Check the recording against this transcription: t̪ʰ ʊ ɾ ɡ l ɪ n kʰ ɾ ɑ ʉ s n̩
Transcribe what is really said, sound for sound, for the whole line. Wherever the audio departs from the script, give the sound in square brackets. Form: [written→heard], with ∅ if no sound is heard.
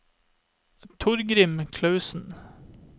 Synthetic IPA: t̪ʰ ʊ ɾ ɡ [l→ɾ] ɪ [n→m] kʰ [ɾ→l] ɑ ʉ s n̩